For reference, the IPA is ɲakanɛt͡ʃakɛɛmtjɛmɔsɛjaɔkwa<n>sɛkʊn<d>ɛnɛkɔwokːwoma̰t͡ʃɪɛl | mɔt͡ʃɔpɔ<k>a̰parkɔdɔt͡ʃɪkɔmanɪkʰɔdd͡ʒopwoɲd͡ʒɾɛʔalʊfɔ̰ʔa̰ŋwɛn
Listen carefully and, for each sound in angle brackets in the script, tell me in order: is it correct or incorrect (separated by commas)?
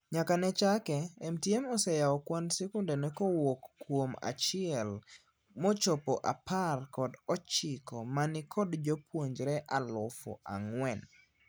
correct, correct, incorrect